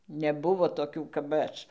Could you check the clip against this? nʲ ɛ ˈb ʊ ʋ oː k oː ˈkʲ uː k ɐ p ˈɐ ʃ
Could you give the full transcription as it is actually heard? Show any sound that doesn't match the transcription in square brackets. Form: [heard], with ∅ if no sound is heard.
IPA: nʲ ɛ ˈb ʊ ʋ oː [t] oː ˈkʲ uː k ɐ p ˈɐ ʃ